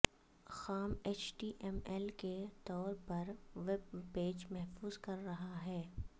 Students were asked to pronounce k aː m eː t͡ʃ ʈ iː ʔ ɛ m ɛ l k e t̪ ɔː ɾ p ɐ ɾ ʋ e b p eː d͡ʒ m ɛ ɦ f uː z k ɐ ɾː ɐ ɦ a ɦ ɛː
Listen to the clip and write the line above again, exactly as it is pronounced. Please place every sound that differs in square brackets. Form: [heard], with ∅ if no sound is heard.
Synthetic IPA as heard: [x] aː m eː t͡ʃ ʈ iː ʔ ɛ m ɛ l k e t̪ ɔː ɾ p ɐ ɾ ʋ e b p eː d͡ʒ m ɛ ɦ f uː z k ɐ ɾː ɐ ɦ a ɦ ɛː